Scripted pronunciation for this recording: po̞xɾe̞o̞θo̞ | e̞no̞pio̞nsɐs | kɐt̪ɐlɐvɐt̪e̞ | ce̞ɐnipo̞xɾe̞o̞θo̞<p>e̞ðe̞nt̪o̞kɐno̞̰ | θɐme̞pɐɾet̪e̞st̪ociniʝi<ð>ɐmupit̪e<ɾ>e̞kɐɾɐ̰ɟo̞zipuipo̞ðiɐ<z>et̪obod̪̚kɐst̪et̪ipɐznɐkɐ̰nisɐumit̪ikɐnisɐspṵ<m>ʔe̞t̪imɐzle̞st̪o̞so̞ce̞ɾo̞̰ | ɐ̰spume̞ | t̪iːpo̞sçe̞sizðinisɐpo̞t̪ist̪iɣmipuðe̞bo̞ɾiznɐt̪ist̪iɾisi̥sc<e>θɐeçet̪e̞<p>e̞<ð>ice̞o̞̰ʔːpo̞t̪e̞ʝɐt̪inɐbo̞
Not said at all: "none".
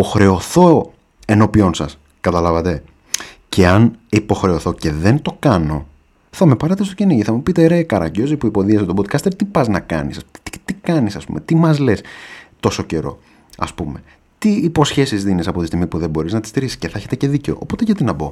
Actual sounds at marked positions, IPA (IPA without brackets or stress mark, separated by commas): c, θ, ɾ, s, m, e, c, ð